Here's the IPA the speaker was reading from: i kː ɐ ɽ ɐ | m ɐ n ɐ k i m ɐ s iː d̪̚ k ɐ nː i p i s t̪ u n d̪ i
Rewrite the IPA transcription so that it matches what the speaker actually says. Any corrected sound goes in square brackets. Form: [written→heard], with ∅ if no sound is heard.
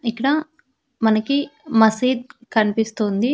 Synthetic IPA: i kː ɐ ɽ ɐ | m ɐ n ɐ k i m ɐ s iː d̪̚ k ɐ [nː→n] i p i s t̪ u n d̪ i